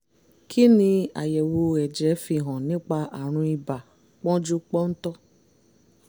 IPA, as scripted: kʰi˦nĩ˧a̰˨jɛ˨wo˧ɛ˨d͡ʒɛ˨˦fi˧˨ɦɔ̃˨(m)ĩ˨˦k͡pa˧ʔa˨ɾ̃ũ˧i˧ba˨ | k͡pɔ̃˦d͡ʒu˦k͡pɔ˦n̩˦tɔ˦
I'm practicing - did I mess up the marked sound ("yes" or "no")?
yes